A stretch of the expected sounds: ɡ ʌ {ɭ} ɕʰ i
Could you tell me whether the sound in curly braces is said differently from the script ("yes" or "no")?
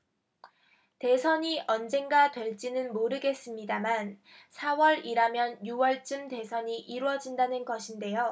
yes